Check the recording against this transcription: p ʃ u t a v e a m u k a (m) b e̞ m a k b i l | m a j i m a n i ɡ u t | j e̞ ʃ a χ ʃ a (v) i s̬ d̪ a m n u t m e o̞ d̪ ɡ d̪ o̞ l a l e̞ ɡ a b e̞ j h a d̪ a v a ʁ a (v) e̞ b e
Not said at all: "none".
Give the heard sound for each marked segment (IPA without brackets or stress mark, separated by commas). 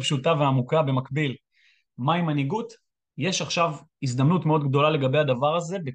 none, v, z